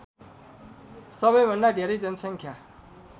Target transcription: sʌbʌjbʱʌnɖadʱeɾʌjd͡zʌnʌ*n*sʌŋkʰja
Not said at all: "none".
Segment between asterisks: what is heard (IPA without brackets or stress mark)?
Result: none